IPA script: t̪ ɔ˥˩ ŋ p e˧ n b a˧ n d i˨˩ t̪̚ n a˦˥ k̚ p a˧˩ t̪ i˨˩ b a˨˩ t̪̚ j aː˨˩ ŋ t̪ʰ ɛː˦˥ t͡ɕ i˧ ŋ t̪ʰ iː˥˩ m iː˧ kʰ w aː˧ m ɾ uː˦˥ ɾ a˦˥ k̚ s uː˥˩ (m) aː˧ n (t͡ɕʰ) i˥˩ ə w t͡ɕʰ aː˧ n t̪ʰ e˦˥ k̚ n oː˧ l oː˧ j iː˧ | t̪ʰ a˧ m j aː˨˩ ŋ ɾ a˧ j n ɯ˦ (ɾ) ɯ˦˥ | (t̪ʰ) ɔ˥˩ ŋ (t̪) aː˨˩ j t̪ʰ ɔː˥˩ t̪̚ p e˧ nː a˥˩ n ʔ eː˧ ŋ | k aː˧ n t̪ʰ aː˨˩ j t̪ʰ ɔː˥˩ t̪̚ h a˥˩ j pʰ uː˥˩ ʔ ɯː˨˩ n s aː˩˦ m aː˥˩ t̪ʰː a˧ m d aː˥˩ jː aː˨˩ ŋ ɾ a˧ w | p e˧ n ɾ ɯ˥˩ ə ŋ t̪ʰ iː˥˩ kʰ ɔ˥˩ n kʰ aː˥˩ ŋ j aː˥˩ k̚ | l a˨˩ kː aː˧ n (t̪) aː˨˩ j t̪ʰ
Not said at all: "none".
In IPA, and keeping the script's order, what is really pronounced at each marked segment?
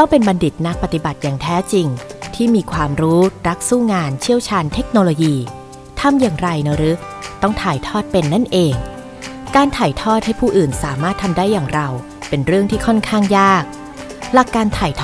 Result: ŋ, t͡ɕʰ, ɾ, t̪, t̪ʰ, t̪ʰ

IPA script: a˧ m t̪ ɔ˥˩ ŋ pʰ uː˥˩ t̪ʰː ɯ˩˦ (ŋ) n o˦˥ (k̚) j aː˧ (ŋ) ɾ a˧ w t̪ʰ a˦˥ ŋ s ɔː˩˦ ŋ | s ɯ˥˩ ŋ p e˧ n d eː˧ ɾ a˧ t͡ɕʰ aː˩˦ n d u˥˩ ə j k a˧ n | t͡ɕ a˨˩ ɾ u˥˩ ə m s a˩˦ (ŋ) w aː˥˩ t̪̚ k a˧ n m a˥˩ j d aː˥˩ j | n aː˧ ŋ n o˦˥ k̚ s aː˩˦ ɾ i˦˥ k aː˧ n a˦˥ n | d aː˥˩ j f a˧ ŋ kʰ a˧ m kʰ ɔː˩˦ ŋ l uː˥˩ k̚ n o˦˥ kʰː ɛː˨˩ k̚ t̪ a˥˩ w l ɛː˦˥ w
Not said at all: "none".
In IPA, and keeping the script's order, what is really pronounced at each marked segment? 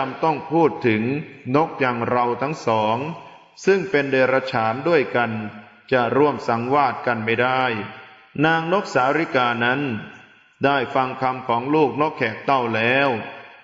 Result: ŋ, k̚, ŋ, ŋ

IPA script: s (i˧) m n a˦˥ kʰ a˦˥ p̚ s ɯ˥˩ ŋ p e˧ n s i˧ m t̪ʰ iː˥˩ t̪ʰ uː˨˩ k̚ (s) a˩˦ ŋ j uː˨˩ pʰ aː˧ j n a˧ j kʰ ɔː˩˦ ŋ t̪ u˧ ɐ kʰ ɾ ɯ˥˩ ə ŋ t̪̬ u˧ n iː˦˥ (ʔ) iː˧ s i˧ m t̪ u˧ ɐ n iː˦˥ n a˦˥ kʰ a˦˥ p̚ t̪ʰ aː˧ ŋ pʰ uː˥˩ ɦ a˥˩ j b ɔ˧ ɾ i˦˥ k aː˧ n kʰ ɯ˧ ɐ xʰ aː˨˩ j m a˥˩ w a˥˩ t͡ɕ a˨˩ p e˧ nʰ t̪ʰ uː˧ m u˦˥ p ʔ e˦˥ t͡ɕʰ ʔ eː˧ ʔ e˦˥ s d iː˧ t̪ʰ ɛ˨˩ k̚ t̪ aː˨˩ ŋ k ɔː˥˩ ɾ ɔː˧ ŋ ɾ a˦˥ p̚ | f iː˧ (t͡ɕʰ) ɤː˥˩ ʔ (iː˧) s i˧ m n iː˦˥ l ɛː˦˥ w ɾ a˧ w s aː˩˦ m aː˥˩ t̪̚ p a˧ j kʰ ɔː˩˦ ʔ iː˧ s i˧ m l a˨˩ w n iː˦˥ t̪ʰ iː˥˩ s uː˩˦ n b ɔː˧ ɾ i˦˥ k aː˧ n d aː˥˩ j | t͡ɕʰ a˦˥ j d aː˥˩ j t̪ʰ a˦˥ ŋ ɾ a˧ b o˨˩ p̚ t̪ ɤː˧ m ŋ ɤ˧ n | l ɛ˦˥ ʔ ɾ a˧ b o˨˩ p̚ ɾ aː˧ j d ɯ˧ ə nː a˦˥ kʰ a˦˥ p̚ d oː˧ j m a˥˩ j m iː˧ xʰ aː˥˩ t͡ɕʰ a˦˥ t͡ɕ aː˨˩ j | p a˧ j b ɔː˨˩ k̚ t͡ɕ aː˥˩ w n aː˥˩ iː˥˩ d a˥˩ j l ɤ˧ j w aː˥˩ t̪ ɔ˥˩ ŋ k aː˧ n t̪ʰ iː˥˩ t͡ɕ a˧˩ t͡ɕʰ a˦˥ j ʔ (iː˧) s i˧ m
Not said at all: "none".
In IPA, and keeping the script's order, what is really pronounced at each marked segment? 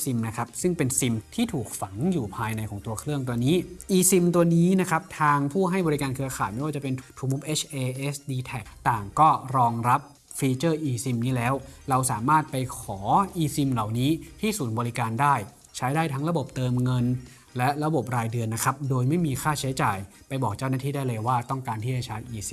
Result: i˧, f, ʔ, t͡ɕ, iː˧, iː˧

